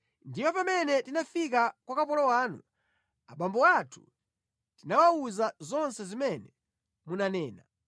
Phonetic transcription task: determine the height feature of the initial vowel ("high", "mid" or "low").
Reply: high